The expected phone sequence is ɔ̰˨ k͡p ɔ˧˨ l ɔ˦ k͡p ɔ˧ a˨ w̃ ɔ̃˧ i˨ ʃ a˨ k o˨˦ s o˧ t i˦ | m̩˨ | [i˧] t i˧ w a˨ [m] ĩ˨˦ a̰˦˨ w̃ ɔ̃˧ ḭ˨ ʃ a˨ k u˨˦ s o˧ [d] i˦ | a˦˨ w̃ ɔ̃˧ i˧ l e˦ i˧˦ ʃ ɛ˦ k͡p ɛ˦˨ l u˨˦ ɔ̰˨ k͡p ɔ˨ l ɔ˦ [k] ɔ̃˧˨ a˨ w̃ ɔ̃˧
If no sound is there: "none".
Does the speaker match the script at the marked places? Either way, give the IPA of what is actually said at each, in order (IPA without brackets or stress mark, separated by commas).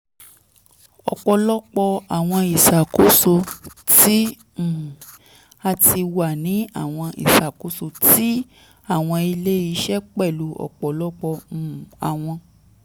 a˧, n, t, k͡p